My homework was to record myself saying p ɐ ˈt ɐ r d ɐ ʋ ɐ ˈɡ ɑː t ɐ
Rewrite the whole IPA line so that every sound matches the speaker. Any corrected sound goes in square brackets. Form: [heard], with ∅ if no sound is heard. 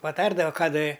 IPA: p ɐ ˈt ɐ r d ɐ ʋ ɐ [ˈk] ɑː [d] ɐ

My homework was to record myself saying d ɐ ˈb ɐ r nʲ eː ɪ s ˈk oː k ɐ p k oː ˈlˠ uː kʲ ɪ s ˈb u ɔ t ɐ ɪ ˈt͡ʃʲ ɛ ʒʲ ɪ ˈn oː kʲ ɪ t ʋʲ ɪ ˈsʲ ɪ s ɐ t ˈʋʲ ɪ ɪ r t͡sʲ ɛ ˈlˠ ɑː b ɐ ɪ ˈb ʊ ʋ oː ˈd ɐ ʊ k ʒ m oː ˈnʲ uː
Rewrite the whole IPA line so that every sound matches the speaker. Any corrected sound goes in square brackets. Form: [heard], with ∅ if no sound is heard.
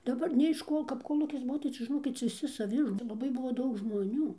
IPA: d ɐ ˈb ɐ r nʲ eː ɪ [ʃ] ˈk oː k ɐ p k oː ˈlˠ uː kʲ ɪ s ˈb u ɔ t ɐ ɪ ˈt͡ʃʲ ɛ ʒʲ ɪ ˈn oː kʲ ɪ t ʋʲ ɪ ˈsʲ ɪ s ɐ [∅] ˈʋʲ ɪ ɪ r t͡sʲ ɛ ˈlˠ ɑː b ɐ ɪ ˈb ʊ ʋ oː ˈd ɐ ʊ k ʒ m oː ˈnʲ uː

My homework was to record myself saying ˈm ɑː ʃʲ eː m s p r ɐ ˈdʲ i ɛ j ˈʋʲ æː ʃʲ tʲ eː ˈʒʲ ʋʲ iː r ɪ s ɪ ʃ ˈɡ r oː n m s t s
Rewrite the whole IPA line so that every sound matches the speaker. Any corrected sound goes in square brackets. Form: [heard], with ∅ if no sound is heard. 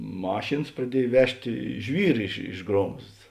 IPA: ˈm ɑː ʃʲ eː [n] s p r ɐ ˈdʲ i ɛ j ˈʋʲ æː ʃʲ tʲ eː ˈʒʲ ʋʲ iː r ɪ [ʃ] ɪ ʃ ˈɡ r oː [∅] m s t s

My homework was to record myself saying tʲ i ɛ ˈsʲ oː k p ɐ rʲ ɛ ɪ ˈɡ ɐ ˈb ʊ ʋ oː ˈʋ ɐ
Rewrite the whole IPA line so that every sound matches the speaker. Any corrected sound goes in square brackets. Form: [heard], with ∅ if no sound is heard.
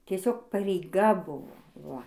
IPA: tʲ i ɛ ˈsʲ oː k p ɐ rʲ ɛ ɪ ˈɡ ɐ ˈb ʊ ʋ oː ˈʋ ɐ

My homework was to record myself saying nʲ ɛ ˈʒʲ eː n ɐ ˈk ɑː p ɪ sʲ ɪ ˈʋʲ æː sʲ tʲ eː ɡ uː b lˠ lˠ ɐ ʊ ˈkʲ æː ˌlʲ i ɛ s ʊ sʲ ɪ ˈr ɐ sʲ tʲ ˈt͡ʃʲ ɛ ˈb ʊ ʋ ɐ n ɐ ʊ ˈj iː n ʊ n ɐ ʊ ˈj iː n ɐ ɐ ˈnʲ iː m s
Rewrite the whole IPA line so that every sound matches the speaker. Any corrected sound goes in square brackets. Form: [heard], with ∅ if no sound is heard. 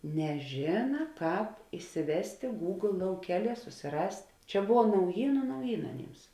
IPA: nʲ ɛ ˈʒʲ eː n ɐ ˈk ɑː p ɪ sʲ ɪ ˈʋʲ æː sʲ tʲ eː ɡ uː [ɡ] lˠ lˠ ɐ ʊ ˈkʲ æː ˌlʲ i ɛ s ʊ sʲ ɪ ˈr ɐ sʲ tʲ ˈt͡ʃʲ ɛ ˈb ʊ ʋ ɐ n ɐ ʊ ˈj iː n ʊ n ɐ ʊ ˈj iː n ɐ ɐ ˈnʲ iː m s

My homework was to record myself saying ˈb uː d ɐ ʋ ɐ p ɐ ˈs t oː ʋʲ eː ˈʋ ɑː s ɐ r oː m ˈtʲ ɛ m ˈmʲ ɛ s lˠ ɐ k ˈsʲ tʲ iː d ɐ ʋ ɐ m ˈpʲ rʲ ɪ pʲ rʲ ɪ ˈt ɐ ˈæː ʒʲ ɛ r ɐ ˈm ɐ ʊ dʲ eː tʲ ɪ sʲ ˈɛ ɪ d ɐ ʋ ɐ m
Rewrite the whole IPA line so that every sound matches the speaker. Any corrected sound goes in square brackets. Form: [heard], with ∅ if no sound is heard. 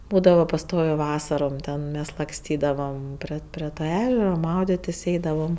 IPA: ˈb uː d ɐ ʋ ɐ p ɐ ˈs t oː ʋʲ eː ˈʋ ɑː s ɐ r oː m ˈtʲ ɛ [n] ˈmʲ ɛ s lˠ ɐ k ˈsʲ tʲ iː d ɐ ʋ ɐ m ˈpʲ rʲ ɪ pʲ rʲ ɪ ˈt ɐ ˈæː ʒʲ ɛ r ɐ ˈm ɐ ʊ dʲ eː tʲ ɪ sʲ ˈɛ ɪ d ɐ ʋ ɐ m

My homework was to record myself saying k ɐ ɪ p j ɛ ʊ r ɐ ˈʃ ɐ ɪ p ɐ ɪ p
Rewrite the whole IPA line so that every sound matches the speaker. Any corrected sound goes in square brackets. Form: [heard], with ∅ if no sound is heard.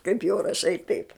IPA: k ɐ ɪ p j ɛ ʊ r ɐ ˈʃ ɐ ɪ [t] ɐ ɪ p

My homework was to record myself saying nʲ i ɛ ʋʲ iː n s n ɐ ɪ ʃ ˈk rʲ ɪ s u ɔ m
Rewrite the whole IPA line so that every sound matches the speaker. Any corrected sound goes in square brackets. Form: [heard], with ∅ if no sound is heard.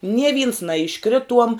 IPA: nʲ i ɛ ʋʲ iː n s n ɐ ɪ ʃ ˈk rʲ ɪ [t] u ɔ m

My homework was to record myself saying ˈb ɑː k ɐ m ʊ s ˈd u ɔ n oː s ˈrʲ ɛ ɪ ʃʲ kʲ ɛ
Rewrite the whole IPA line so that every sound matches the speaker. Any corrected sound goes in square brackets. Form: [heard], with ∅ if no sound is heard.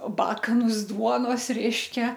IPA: ˈb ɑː k ɐ [n] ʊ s ˈd u ɔ n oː s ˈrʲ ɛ ɪ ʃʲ kʲ ɛ

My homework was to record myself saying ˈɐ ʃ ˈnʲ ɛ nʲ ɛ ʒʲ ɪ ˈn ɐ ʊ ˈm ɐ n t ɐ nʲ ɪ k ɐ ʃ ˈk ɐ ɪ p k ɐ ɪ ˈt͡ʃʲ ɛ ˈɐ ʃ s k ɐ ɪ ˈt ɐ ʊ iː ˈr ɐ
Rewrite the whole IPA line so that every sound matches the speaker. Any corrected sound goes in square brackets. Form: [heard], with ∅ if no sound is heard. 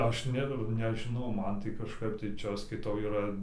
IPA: ˈɐ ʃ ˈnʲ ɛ nʲ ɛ ʒʲ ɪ ˈn ɐ ʊ ˈm ɐ n t ɐ [∅] ɪ k ɐ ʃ ˈk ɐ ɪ p [t] ɐ ɪ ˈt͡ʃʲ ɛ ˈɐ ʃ s k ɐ ɪ ˈt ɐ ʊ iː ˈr ɐ

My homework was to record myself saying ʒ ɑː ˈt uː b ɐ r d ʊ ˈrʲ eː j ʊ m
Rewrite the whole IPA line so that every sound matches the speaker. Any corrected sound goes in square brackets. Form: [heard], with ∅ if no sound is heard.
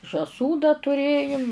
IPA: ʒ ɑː [ˈs] uː [d] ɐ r [t] ʊ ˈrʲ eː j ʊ m

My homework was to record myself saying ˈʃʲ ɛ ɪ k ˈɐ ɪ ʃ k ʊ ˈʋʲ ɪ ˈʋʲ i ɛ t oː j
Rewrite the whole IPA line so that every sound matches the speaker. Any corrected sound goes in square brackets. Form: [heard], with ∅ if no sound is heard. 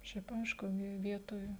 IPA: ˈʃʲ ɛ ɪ [p] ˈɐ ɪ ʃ k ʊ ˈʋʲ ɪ ˈʋʲ i ɛ t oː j

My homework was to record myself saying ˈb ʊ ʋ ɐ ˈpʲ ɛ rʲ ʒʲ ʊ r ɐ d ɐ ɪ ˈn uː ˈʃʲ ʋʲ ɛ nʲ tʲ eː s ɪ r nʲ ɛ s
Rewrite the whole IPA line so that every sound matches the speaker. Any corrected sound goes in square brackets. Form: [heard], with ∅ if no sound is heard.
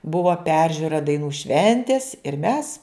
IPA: ˈb ʊ ʋ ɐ ˈpʲ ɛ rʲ ʒʲ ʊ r ɐ d ɐ ɪ ˈn uː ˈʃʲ ʋʲ ɛ nʲ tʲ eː s ɪ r [mʲ] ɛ s

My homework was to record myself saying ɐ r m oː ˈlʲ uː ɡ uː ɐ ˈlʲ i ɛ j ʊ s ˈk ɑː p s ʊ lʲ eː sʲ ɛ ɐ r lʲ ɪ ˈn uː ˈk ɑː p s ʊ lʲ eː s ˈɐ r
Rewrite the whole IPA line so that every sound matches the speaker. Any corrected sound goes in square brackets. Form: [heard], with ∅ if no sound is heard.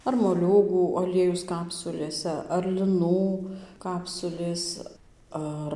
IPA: ɐ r m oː ˈlʲ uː ɡ uː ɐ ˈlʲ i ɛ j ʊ s ˈk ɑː p s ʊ lʲ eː sʲ ɛ ɐ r lʲ ɪ ˈn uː ˈk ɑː p s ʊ lʲ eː s ˈɐ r

